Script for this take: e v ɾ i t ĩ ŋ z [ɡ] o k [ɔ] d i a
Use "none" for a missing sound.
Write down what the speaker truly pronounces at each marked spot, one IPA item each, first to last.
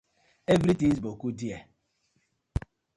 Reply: b, u

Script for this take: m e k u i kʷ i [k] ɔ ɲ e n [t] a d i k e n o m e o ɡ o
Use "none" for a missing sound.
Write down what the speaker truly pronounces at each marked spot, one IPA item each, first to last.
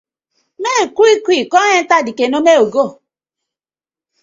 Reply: k, t

